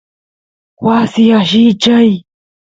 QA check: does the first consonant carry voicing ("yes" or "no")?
yes